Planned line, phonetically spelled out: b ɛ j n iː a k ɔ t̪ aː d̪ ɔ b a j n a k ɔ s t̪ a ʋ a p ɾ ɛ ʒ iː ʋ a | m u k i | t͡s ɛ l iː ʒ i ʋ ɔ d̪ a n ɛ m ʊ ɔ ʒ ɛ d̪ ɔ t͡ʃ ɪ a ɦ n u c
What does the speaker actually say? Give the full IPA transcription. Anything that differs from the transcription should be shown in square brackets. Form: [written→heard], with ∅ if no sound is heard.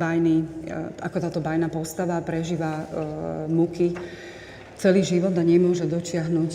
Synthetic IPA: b [ɛ→a] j n [iː→i] a k ɔ t̪ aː [d̪→t̪] ɔ b a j n a [k→p] ɔ s t̪ a ʋ a p ɾ ɛ ʒ iː ʋ a | m u k i | t͡s ɛ l iː ʒ i ʋ ɔ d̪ a [n→ɲ] ɛ m ʊ ɔ ʒ ɛ d̪ ɔ t͡ʃ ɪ a ɦ n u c